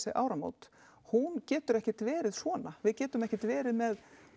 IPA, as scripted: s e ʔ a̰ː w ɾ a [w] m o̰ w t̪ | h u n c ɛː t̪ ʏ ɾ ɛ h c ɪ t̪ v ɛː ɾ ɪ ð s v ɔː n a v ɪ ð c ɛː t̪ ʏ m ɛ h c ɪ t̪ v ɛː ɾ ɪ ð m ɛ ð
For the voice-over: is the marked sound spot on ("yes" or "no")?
no